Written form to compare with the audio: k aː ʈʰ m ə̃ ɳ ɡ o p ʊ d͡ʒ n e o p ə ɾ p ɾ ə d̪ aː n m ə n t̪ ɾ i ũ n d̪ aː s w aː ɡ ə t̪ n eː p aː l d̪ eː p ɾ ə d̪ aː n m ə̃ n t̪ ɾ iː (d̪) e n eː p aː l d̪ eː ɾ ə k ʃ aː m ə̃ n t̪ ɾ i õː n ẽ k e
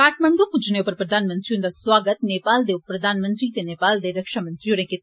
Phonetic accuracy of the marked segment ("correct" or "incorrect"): incorrect